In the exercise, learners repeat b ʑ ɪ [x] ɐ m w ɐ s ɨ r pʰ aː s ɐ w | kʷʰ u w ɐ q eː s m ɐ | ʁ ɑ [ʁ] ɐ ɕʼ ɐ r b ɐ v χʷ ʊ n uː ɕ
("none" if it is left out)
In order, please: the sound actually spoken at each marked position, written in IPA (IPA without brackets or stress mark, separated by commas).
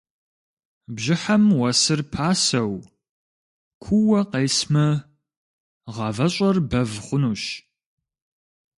ħ, v